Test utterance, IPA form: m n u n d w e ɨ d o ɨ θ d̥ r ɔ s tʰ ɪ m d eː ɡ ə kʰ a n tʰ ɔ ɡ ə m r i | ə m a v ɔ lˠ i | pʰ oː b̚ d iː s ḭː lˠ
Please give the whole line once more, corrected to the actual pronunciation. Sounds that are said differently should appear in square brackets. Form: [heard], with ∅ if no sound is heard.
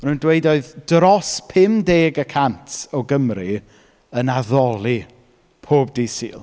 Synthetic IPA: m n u n d w e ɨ d o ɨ [ð] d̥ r ɔ s [pʰ] ɪ m d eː ɡ ə kʰ a n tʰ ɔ ɡ ə m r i | ə [n] a [ð] ɔ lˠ i | pʰ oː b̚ d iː s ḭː lˠ